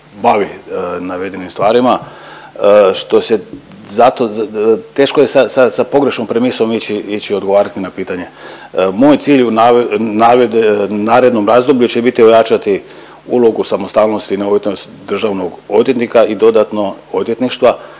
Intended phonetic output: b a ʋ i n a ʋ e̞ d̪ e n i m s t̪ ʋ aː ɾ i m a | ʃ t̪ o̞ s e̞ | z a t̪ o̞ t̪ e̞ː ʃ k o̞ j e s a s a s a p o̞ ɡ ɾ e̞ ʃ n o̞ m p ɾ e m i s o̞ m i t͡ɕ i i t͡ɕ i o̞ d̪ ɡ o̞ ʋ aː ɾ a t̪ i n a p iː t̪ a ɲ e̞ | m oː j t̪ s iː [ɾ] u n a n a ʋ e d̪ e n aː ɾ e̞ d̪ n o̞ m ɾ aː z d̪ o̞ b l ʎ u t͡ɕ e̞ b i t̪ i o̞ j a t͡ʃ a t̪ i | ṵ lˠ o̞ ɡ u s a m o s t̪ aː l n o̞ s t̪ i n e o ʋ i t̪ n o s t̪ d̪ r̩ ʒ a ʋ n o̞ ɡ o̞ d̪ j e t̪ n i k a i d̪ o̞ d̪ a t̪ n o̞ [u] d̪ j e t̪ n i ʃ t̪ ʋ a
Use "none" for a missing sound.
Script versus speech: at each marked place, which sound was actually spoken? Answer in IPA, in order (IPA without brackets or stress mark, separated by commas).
ʎ, o